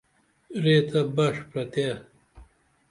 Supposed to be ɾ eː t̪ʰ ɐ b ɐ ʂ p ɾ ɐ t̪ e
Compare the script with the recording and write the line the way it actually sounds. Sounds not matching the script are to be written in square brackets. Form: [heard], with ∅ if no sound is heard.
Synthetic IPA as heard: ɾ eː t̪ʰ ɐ b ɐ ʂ p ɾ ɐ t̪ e

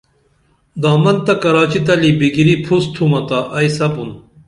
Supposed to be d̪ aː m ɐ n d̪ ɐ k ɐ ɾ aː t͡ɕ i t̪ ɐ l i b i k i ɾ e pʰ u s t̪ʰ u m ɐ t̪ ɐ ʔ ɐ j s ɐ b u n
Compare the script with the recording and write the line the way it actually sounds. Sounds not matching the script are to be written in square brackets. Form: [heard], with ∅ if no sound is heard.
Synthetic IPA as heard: d̪ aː m ɐ n [t̪] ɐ k ɐ ɾ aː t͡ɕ i t̪ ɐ l i b i [ɡ] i ɾ [i] pʰ u s t̪ʰ u m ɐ t̪ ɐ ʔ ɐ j s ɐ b u n

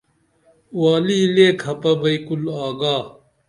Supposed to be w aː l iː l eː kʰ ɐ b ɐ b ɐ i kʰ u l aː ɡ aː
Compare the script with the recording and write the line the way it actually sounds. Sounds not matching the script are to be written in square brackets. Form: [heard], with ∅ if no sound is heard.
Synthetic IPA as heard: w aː l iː l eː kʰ ɐ [p] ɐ b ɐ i [k] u l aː ɡ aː

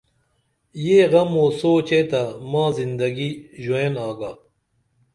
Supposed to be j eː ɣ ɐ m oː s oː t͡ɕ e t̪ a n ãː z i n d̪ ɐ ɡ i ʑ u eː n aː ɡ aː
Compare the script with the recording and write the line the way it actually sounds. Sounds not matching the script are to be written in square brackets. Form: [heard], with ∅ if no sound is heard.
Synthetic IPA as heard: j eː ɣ ɐ m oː s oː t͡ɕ e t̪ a [m] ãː z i n d̪ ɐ ɡ i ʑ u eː n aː ɡ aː

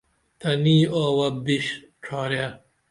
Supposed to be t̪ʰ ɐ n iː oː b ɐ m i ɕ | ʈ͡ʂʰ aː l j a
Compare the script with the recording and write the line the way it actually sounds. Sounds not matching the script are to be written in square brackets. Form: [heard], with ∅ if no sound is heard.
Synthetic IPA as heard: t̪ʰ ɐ n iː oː [w] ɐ [b] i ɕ | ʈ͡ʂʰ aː [ɾ] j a

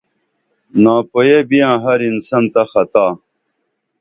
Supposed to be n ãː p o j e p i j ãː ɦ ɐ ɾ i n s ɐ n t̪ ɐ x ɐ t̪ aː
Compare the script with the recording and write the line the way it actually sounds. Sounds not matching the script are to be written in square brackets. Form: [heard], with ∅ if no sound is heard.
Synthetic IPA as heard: n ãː p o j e [b] i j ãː ɦ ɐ ɾ i n s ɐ n t̪ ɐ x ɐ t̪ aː

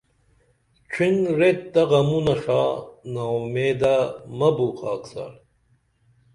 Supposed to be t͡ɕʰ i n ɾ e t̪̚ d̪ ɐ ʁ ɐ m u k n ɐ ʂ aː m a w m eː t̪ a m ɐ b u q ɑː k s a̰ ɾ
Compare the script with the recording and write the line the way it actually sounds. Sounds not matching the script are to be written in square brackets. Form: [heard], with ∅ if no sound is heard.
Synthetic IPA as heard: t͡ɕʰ i n ɾ e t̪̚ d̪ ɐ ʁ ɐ m u [∅] n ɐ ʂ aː [n] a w m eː [d̪] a m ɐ b u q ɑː k s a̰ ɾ

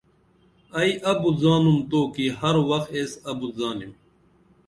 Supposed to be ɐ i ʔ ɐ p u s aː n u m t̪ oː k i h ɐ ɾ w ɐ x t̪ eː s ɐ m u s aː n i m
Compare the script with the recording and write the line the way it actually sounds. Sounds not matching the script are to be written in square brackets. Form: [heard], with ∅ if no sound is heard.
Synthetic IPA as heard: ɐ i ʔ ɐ [b] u [z] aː n u m t̪ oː k i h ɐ ɾ w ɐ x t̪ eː s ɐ [b] u [z] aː n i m

